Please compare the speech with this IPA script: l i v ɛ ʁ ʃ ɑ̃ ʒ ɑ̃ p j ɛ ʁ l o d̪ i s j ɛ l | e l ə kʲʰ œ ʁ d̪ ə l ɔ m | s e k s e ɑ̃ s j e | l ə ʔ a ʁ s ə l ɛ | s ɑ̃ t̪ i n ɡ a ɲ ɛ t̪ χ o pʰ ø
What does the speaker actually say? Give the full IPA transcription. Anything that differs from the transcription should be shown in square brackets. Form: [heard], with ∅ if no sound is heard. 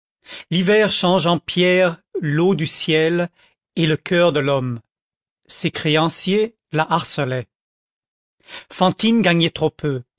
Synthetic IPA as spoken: l i v ɛ ʁ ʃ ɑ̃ ʒ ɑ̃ p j ɛ ʁ l o d̪ [y] s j ɛ l | e l ə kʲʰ œ ʁ d̪ ə l ɔ m | s e k [χ] e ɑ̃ s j e | l [a] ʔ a ʁ s ə l ɛ | [f] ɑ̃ t̪ i n ɡ a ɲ ɛ t̪ χ o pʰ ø

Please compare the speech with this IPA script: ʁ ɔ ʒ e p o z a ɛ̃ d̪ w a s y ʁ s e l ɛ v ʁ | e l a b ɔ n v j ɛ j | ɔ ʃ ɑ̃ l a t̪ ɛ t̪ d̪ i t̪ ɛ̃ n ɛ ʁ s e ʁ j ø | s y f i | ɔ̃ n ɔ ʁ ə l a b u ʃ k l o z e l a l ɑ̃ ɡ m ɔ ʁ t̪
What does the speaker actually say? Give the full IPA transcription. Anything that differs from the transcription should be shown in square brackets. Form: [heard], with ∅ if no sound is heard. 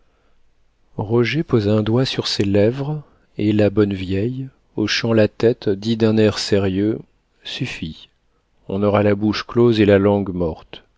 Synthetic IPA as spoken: ʁ ɔ ʒ e p o z a ɛ̃ d̪ w a s y ʁ s e l ɛ v ʁ | e l a b ɔ n v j ɛ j | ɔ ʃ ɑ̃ l a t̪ ɛ t̪ d̪ i [d̪] ɛ̃ n ɛ ʁ s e ʁ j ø | s y f i | ɔ̃ n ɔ ʁ [a] l a b u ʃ k l o z e l a l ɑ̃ ɡ m ɔ ʁ t̪

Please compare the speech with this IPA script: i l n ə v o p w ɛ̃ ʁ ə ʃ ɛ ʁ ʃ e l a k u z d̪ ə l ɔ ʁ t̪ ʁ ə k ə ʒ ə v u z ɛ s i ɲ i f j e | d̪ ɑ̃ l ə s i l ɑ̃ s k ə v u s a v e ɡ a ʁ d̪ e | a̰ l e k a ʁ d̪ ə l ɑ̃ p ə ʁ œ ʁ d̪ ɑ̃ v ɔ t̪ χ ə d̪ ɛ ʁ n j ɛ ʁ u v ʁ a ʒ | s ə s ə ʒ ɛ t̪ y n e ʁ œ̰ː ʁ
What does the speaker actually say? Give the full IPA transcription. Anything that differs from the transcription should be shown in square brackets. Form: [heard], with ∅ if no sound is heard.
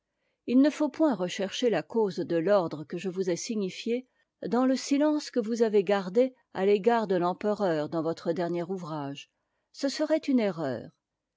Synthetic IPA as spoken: i l n ə [f] o p w ɛ̃ ʁ ə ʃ ɛ ʁ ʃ e l a k [o] z d̪ ə l ɔ ʁ [d̪] ʁ ə k ə ʒ ə v u z ɛ s i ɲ i f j e | d̪ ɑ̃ l ə s i l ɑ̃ s k ə v u [z] a v e ɡ a ʁ d̪ e | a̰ l e [ɡ] a ʁ d̪ ə l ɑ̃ p ə ʁ œ ʁ d̪ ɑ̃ v ɔ t̪ χ ə d̪ ɛ ʁ n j ɛ ʁ u v ʁ a ʒ | s ə s ə [ʁ] ɛ t̪ y n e ʁ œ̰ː ʁ

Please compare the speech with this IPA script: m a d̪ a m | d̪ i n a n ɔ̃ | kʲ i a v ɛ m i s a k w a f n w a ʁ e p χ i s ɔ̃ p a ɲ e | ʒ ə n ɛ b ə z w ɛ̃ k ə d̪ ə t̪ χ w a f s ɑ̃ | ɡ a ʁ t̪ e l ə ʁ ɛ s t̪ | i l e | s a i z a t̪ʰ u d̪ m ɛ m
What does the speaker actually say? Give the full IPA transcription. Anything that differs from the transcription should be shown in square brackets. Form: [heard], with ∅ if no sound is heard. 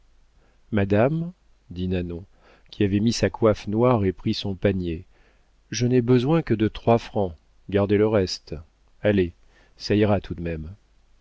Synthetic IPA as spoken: m a d̪ a m | d̪ i n a n ɔ̃ | kʲ i a v ɛ m i s a k w a f n w a ʁ e p χ i s ɔ̃ p a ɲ e | ʒ ə n ɛ b ə z w ɛ̃ k ə d̪ ə t̪ χ w a f [χ] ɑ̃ | ɡ a ʁ [d̪] e l ə ʁ ɛ s t̪ | [a] l e | s a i [ʁ] a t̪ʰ u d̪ m ɛ m

